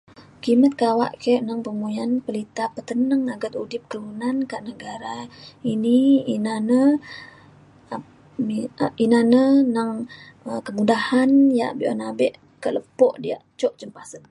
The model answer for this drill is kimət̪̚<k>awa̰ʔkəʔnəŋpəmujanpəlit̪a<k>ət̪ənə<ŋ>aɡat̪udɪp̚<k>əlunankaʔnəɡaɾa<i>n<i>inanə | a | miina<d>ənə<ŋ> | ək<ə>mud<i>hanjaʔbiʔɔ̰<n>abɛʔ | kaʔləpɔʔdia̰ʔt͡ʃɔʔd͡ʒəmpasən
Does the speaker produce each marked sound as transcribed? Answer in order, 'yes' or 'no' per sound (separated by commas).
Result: yes, no, yes, yes, yes, yes, no, yes, yes, no, yes